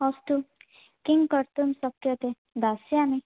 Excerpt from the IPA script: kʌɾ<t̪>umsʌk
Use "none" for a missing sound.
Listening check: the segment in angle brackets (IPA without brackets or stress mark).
t̪